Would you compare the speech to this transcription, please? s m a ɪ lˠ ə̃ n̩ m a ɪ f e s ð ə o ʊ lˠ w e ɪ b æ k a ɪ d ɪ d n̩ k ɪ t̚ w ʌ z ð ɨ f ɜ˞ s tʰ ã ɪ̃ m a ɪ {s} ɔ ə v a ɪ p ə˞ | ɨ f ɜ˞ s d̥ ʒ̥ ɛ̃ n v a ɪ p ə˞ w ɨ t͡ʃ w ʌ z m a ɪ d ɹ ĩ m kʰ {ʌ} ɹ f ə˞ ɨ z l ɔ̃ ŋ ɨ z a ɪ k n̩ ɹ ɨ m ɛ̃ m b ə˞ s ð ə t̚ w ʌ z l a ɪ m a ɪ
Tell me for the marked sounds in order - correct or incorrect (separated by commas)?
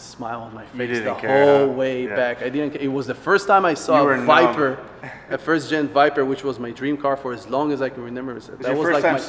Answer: correct, incorrect